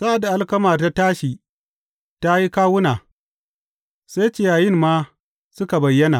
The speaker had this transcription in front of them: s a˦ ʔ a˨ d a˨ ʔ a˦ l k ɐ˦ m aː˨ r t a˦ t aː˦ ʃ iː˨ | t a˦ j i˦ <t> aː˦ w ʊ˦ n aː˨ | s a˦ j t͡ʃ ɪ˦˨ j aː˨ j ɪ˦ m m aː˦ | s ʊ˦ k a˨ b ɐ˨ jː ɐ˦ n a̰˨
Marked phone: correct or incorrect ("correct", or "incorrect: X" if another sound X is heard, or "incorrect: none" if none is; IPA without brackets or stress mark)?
incorrect: k